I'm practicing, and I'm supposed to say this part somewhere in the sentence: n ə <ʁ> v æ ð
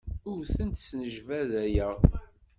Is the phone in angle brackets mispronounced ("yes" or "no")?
yes